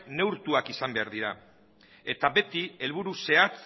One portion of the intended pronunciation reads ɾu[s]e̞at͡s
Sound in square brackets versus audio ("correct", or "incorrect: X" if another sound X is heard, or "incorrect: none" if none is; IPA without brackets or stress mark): correct